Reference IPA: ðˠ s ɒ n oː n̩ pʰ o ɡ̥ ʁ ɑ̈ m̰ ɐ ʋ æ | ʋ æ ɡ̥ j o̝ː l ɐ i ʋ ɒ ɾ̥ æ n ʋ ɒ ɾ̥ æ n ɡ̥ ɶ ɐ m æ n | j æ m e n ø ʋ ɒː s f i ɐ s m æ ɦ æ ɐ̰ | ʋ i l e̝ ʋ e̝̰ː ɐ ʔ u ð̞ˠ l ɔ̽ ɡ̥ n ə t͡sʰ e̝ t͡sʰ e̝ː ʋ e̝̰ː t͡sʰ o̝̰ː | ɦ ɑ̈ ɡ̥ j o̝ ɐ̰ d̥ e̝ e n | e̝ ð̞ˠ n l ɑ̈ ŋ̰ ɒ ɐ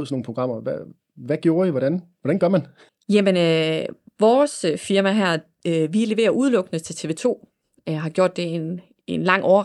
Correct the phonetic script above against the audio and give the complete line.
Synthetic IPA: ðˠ s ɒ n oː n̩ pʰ o ɡ̥ ʁ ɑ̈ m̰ ɐ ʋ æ | ʋ æ ɡ̥ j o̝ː ɐ i ʋ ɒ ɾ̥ æ n ʋ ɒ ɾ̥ æ n ɡ̥ ɶ ɐ m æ n | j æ m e n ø ʋ ɒː s f i ɐ m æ ɦ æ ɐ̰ | ʋ i l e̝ ʋ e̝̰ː ɐ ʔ u ð̞ˠ l ɔ̽ ɡ̥ n ə t͡sʰ e̝ t͡sʰ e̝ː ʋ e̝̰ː t͡sʰ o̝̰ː | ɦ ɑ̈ ɡ̥ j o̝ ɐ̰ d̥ e̝ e n | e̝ n l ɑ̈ ŋ̰ ɒ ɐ